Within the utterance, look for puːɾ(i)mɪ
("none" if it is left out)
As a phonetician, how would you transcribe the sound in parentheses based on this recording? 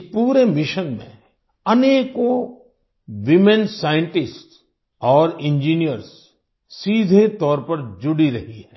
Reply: e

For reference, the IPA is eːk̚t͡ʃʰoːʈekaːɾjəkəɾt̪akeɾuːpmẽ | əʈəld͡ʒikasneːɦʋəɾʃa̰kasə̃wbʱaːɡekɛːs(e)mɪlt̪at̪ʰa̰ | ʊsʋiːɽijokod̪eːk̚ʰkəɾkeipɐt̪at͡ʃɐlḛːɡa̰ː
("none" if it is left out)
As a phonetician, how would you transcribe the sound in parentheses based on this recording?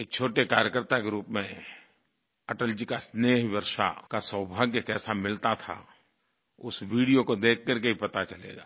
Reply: a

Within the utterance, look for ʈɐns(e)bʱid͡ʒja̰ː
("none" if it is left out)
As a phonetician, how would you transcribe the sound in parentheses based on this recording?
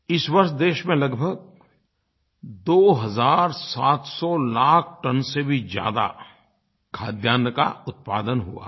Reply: e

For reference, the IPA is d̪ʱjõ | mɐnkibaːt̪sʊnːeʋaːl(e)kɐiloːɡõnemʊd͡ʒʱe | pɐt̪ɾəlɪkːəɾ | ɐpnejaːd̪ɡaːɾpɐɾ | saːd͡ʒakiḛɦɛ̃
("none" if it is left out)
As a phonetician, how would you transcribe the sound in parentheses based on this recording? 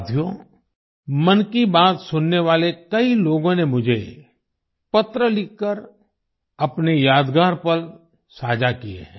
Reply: e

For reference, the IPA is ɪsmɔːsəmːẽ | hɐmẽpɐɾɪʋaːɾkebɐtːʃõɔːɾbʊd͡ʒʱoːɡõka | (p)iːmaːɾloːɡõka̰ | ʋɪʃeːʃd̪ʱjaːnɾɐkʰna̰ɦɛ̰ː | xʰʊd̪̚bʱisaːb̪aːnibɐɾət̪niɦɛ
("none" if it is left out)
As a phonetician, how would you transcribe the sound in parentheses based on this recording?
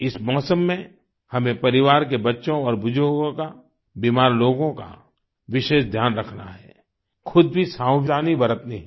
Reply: b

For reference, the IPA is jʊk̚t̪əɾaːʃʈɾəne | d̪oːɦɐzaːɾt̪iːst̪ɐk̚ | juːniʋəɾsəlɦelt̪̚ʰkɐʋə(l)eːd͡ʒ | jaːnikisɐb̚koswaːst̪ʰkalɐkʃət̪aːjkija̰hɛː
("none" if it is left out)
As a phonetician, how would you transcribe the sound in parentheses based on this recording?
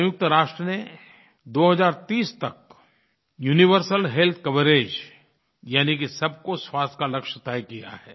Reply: ɾ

